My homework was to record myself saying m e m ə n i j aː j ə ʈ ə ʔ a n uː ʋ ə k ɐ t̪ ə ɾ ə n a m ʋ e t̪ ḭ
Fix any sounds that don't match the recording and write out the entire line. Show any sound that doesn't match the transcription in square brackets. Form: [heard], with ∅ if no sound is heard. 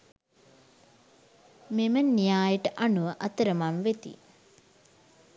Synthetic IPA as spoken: m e m ə n i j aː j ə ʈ ə ʔ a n [u] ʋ ə [ʔ] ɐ t̪ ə ɾ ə [m] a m ʋ e t̪ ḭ

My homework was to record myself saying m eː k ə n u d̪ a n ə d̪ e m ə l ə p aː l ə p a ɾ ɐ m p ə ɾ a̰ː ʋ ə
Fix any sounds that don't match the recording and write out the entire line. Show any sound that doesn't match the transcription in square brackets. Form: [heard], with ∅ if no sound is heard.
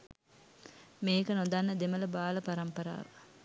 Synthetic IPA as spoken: m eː k ə n [o] d̪ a [nː] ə d̪ e m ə l ə [b] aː l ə p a ɾ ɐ m p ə ɾ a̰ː ʋ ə

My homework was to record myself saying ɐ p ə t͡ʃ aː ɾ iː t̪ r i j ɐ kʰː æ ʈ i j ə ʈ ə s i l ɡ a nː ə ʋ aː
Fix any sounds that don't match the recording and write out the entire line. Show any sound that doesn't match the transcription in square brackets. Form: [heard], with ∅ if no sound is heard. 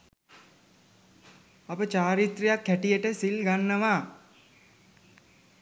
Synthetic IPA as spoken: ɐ p ə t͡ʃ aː ɾ [i] t̪ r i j [a] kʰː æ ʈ i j ə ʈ ə s i l ɡ a nː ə ʋ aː

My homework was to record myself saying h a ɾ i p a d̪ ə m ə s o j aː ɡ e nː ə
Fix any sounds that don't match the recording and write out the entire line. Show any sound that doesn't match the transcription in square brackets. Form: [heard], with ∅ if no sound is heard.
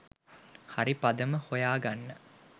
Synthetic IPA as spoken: h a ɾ i p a d̪ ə m ə [h] o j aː ɡ [a] nː ə

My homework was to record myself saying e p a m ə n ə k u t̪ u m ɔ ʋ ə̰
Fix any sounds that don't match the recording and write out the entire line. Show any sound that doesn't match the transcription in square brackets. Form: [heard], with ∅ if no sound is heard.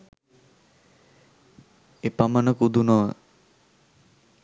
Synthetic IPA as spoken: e p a m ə n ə k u [d̪] u [n] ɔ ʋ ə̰

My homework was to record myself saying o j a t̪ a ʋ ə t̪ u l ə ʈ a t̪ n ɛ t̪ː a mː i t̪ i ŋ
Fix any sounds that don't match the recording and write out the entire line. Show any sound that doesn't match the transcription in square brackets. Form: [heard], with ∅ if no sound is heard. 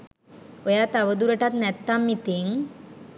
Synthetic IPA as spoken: o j a t̪ a ʋ ə [d̪] u [ɾ] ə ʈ a t̪ n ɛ t̪ː a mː i t̪ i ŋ

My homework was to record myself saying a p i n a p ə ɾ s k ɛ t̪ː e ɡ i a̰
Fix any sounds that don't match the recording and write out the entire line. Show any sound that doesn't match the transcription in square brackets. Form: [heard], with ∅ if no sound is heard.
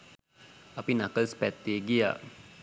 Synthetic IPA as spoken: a p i n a [k] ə [l] s [p] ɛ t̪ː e ɡ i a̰

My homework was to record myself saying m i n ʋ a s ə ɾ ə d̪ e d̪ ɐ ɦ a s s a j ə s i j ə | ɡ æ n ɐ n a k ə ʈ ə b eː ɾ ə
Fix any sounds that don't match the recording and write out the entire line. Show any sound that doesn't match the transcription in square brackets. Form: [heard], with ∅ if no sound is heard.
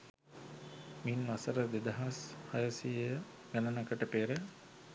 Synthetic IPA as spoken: m i n ʋ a s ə ɾ ə d̪ e d̪ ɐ ɦ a s [h] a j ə s i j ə | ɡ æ n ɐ n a k ə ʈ ə [p] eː ɾ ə

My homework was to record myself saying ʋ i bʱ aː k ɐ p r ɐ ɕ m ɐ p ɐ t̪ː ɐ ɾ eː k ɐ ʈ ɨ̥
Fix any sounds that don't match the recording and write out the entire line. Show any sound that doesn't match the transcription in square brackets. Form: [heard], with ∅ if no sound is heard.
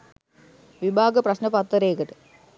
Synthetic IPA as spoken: ʋ i bʱ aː [ɡ] ɐ p r ɐ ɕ [n] ɐ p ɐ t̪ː ɐ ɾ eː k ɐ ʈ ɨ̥

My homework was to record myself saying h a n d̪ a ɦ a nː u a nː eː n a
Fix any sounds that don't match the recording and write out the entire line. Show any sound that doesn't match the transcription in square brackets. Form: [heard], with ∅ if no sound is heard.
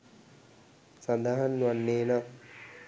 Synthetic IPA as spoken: [s] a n d̪ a ɦ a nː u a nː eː n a

